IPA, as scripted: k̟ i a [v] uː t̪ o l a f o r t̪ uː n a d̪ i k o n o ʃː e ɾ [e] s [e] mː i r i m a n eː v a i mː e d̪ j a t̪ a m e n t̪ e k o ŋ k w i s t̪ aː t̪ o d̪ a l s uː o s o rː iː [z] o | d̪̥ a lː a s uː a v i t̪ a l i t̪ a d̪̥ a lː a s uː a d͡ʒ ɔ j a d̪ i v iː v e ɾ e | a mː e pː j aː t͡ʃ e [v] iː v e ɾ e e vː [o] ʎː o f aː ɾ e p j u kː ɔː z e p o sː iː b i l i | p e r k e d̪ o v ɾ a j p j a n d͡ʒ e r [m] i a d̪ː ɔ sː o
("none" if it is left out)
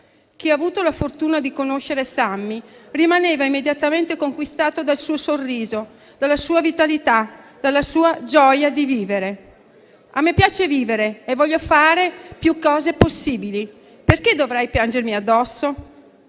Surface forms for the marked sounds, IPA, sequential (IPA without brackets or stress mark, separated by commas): v, e, a, z, v, ɔ, m